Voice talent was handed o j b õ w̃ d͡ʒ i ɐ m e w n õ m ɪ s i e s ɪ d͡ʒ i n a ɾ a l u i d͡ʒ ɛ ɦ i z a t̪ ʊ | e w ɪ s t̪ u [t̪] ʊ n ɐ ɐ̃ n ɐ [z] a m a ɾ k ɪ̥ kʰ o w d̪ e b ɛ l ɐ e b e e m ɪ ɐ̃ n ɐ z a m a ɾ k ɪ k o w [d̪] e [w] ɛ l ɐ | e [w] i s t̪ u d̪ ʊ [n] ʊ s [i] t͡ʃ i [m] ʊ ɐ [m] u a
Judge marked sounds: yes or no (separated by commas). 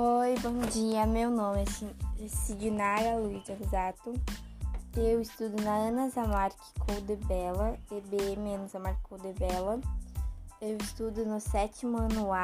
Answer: no, yes, yes, no, yes, yes, no, yes, no